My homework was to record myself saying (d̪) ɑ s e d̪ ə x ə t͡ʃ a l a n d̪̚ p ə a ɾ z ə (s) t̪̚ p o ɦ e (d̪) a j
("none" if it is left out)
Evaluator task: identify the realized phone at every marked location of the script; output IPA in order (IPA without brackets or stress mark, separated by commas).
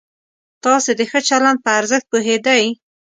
t̪, x, d̪